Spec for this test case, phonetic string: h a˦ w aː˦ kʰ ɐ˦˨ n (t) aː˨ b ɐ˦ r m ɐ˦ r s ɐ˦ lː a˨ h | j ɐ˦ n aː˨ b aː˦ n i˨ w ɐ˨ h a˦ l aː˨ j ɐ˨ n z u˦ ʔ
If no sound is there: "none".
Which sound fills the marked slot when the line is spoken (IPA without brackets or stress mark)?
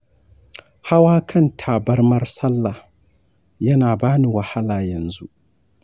tʰ